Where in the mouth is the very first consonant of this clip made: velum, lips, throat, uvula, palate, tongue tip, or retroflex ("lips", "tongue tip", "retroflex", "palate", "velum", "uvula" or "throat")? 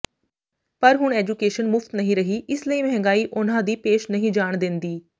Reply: lips